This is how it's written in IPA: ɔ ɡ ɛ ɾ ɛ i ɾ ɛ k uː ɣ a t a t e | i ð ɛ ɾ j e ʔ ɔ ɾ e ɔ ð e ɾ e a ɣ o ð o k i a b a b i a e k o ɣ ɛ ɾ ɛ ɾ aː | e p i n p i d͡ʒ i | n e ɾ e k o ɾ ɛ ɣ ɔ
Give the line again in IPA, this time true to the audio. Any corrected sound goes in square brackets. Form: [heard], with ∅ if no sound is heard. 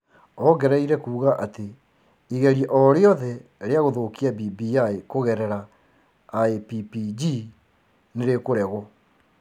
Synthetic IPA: ɔ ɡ ɛ ɾ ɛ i ɾ ɛ k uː ɣ a [ʔ] a t e | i [ɣ] ɛ ɾ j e ʔ ɔ ɾ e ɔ ð [ɛ] ɾ e a ɣ o ð o k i a b [i] b i a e k o ɣ ɛ ɾ ɛ ɾ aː | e p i [∅] p i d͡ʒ i | n e ɾ e k o ɾ ɛ ɣ ɔ